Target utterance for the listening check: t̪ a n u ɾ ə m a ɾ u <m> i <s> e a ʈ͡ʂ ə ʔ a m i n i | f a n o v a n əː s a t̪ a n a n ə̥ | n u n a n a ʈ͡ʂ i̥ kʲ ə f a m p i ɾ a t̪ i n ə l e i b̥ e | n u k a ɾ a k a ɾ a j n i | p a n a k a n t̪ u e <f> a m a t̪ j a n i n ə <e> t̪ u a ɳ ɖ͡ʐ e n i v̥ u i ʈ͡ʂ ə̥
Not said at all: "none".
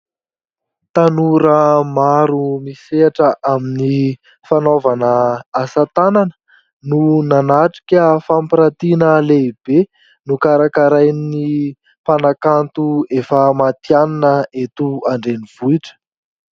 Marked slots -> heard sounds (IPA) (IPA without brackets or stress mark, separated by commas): m, s, f, e